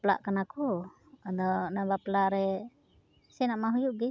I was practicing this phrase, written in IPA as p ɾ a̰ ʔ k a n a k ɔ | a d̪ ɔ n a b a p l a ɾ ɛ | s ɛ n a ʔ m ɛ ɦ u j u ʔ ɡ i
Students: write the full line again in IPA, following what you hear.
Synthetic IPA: p l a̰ ʔ k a n a k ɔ | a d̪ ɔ n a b a p l a ɾ ɛ | s ɛ n a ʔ m a ɦ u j u ʔ ɡ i

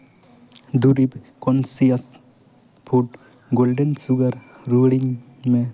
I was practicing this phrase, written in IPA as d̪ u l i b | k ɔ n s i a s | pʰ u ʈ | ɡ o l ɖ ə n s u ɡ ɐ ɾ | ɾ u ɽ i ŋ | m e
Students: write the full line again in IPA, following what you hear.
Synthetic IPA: d̪ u ɾ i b | k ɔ n s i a s | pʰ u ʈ | ɡ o l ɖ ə n s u ɡ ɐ ɾ | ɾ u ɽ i ŋ | m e

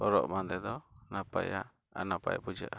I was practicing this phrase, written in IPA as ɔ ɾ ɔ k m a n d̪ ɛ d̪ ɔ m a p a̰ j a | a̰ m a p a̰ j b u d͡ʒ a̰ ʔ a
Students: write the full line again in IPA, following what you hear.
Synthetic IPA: ɔ ɾ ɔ ʔ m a n d̪ ɛ d̪ ɔ n a p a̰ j a | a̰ n a p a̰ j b u d͡ʒ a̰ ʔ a

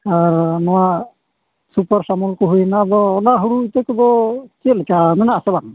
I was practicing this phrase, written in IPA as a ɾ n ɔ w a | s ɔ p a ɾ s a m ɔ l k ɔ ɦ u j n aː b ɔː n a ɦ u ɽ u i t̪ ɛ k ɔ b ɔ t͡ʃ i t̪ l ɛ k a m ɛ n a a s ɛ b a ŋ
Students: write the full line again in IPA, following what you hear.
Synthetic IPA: a ɾ n ɔ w a | s u p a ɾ s a m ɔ l k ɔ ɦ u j n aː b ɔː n a ɦ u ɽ u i t̪ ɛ k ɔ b ɔ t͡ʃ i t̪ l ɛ k a m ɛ n a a s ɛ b a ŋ

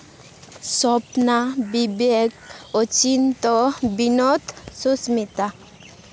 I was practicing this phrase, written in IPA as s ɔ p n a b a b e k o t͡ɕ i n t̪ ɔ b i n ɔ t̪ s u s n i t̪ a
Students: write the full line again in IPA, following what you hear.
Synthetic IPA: s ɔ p n a b i b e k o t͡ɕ i n t̪ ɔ b i n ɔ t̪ s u s m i t̪ a

